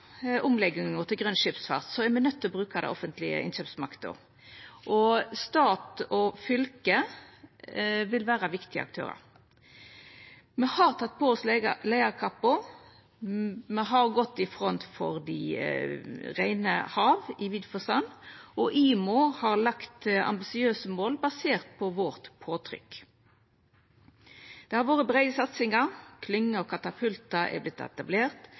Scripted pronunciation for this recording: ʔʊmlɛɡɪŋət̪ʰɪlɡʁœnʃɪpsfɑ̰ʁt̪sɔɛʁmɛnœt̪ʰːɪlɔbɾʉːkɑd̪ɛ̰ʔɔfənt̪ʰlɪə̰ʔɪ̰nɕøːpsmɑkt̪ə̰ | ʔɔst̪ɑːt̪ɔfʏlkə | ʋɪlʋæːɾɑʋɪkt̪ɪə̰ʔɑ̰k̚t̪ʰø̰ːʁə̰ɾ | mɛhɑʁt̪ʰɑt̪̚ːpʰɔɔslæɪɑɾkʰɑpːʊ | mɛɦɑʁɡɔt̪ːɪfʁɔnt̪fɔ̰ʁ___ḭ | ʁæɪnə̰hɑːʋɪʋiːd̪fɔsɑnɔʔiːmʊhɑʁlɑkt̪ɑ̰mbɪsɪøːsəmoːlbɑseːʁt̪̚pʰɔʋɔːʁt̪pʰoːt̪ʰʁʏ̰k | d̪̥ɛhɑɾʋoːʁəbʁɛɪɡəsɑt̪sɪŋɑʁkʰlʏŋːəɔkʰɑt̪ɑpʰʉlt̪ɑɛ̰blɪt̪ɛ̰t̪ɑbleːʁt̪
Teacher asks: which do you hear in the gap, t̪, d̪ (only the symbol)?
d̪